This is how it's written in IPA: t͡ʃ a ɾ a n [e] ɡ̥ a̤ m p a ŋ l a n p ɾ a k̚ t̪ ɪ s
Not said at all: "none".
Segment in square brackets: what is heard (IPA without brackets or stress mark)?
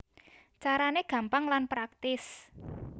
e